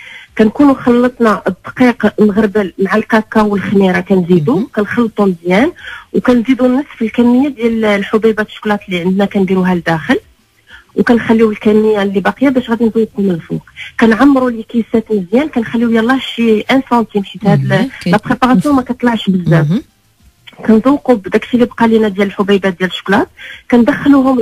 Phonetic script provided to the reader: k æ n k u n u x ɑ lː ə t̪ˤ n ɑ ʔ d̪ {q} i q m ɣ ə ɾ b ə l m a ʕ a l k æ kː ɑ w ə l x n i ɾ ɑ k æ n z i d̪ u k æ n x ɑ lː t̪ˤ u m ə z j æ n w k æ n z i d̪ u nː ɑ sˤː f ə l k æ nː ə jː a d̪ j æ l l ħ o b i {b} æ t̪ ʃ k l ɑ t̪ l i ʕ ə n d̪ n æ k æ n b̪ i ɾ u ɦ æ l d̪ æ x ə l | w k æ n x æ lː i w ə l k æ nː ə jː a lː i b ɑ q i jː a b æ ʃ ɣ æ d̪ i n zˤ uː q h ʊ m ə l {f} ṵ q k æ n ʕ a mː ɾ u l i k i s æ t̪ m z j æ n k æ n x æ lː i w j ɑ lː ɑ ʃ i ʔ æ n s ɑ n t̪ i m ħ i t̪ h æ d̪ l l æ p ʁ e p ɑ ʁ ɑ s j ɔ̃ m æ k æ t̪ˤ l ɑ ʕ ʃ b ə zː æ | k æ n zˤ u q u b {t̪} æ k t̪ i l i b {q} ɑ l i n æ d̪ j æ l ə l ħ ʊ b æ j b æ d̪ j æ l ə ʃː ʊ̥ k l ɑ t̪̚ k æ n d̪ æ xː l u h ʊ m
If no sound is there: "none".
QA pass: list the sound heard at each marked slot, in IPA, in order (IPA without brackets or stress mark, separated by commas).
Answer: q, b, f, d̪, q